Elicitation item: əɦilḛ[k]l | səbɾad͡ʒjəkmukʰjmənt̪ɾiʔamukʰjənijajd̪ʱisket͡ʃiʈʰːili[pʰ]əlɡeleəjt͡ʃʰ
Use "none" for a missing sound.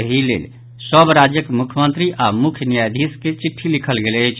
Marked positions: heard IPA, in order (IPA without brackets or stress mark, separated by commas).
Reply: none, kʰ